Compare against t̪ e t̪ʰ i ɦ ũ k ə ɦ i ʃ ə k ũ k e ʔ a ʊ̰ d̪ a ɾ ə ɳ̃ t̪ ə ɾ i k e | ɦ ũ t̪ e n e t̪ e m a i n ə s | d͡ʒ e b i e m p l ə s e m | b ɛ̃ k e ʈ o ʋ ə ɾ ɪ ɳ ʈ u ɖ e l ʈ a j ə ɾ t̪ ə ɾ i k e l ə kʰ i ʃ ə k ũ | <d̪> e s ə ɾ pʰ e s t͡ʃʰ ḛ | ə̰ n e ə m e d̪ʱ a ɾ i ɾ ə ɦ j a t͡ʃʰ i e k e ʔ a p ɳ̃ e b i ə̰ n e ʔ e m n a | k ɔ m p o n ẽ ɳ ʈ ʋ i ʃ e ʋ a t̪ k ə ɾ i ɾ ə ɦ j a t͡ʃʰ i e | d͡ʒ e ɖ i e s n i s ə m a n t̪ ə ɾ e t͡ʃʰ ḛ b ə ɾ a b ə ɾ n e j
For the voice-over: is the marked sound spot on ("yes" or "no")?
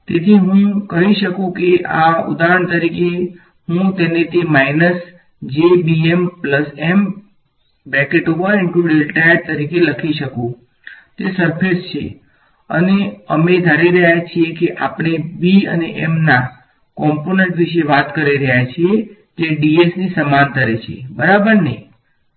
no